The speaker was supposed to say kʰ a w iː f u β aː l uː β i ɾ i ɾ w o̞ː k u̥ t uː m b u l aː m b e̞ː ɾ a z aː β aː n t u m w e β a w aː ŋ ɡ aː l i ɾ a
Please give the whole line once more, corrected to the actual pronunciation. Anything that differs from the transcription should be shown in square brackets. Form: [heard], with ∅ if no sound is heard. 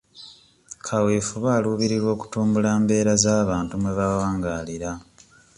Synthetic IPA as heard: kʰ a w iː f u β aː l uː β i ɾ i ɾ w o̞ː k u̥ t uː m b u l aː m b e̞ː ɾ a z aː β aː n t u m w e β a w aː ŋ ɡ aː l i ɾ a